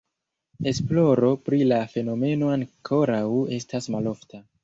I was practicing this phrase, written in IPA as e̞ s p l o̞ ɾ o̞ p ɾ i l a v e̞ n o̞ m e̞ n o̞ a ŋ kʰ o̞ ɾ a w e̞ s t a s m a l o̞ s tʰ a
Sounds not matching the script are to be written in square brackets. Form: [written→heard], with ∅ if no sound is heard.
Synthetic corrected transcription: e̞ s p l o̞ ɾ o̞ p ɾ i l a [v→f] e̞ n o̞ m e̞ n o̞ a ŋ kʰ o̞ ɾ a w e̞ s t a s m a l o̞ [s→f] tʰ a